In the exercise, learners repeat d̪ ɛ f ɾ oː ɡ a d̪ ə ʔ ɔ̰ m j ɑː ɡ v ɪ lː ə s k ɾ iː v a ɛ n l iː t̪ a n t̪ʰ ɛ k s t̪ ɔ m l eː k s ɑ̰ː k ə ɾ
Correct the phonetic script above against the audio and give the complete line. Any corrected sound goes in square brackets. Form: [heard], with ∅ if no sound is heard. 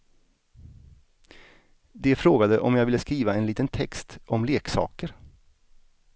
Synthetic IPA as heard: d̪ ɛ f ɾ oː ɡ a d̪ ə ʔ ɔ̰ m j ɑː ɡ v ɪ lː ə s k ɾ iː v a ɛ n l iː t̪ [ə] n t̪ʰ ɛ k s t̪ ɔ m l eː k s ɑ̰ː k ə ɾ